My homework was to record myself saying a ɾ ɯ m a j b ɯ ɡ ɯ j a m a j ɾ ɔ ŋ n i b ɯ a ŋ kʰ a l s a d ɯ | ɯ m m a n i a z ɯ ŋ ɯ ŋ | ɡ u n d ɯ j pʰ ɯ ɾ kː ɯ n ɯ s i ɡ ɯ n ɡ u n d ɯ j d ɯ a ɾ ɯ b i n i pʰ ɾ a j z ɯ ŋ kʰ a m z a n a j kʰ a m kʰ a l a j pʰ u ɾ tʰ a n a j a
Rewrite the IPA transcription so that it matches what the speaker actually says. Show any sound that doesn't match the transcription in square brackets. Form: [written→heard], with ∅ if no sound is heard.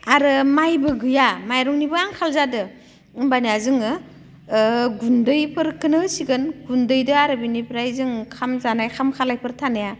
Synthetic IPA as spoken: a ɾ ɯ m a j b ɯ ɡ ɯ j a m a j ɾ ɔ ŋ n i b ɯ a ŋ kʰ a l [s→z] a d ɯ | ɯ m [m→b] a n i a z ɯ ŋ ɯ [ŋ→∅] | ɡ u n d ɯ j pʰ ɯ ɾ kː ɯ n ɯ s i ɡ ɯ n ɡ u n d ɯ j d ɯ a ɾ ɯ b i n i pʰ ɾ a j z ɯ ŋ kʰ a m z a n a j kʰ a m kʰ a l a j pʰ [u→ɯ] ɾ tʰ a n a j a

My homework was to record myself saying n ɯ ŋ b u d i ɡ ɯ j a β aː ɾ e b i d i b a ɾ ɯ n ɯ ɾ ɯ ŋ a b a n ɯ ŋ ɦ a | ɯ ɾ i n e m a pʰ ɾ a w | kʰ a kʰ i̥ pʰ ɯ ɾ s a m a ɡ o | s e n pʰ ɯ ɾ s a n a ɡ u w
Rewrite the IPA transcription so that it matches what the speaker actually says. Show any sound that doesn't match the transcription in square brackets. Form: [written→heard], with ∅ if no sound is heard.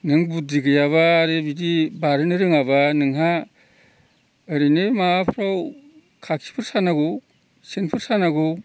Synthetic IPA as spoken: n ɯ ŋ b u d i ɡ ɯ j a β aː ɾ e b i d i b a ɾ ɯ n ɯ ɾ ɯ ŋ a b a n ɯ ŋ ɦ a | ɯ ɾ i n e m a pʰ ɾ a w | kʰ a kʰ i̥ pʰ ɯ ɾ s a [m→n] a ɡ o | s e n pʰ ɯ ɾ s a n a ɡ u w

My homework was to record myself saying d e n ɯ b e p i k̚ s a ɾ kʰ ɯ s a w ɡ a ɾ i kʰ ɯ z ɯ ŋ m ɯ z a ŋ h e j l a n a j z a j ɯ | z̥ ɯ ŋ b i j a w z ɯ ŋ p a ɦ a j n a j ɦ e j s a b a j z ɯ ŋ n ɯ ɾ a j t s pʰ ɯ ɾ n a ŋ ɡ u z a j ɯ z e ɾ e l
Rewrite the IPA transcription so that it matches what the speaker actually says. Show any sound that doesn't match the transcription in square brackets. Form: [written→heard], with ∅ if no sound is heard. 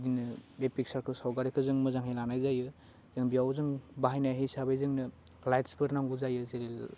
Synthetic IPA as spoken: d [e→i] n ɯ b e p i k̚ s a ɾ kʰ ɯ s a w ɡ a ɾ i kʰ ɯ z ɯ ŋ m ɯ z a ŋ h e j l a n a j z a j ɯ | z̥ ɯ ŋ b i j a w z ɯ ŋ [p→b] a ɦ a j n a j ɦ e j s a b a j z ɯ ŋ n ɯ [ɾ→l] a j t s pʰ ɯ ɾ n a ŋ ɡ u z a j ɯ z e ɾ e l

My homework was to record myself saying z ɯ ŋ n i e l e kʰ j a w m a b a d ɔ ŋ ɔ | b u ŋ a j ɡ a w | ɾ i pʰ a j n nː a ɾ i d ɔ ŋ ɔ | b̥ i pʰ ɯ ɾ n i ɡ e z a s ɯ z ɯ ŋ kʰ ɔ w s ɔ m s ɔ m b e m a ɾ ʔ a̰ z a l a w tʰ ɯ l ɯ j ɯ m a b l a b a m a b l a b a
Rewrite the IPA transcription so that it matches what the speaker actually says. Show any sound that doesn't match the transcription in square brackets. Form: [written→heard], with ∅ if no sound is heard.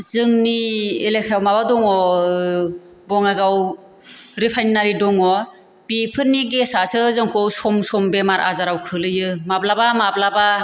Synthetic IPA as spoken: z ɯ ŋ n i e l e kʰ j a w m a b a d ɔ ŋ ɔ | b [u→ɔ] ŋ a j ɡ a w | ɾ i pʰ a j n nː a ɾ i d ɔ ŋ ɔ | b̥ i pʰ ɯ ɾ n i ɡ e [z→s] a s ɯ z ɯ ŋ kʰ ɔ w s ɔ m s ɔ m b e m a ɾ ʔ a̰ z a [l→ɾ] a w [tʰ→kʰ] ɯ l ɯ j ɯ m a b l a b a m a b l a b a

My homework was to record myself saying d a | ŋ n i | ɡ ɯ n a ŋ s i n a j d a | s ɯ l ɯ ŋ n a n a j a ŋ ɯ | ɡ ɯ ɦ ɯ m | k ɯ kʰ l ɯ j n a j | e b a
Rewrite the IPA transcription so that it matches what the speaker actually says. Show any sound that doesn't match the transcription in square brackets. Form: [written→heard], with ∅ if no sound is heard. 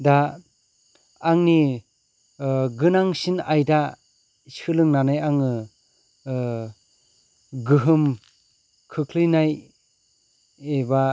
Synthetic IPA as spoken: d a | ŋ n i | ɡ ɯ n a ŋ s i n a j d a | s ɯ l ɯ ŋ n a n a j a ŋ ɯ | ɡ ɯ ɦ ɯ m | [k→kʰ] ɯ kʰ l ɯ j n a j | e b a

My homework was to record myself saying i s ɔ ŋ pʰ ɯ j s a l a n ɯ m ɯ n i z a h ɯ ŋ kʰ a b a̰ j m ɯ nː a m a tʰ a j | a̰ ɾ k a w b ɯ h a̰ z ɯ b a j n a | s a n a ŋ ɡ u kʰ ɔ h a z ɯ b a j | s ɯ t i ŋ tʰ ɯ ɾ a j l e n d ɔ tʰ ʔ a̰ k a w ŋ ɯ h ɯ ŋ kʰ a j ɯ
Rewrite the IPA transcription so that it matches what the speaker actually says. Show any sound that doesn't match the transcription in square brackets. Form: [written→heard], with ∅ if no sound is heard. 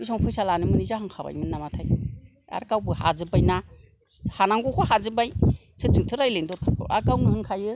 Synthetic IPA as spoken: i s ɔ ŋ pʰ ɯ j s a l a n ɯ m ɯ n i z a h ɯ ŋ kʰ a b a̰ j m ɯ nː a m a tʰ a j | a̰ ɾ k a w b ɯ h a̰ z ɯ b a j n a | [s→h] a n a ŋ ɡ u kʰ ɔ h a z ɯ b a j | s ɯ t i ŋ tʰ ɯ ɾ a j l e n d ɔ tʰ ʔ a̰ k a w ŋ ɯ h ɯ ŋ kʰ a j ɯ

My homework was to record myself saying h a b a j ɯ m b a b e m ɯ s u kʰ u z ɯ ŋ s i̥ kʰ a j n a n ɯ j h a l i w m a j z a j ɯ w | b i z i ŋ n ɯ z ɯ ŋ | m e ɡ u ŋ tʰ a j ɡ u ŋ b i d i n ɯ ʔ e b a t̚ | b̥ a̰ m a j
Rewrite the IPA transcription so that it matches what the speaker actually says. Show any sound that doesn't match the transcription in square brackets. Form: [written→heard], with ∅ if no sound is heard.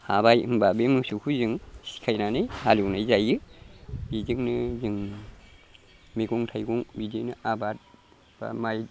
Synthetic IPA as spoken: h a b a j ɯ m b a b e m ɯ s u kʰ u z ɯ ŋ s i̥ kʰ a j n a n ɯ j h a l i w [m→n] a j z a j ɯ [w→∅] | b i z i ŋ n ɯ z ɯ ŋ | m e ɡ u ŋ tʰ a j ɡ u ŋ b i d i n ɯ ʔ [e→a] b a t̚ | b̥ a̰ m a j

